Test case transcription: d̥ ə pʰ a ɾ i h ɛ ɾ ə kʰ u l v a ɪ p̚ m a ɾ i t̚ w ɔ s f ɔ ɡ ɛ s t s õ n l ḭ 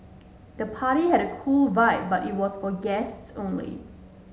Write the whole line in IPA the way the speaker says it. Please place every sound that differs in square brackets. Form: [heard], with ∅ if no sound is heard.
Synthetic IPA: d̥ ə pʰ a ɾ i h ɛ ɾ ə kʰ u l v a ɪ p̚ [b] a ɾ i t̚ w ɔ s f ɔ ɡ ɛ s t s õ n l ḭ